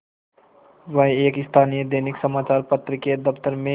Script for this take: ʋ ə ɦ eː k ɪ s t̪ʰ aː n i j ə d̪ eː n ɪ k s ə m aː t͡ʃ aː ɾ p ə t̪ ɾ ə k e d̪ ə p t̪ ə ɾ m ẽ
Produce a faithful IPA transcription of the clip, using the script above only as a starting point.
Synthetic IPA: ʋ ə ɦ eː k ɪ s t̪ʰ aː n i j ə d̪ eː n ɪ k s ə m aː t͡ʃ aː ɾ p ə t̪ ɾ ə k e d̪ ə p t̪ ə ɾ m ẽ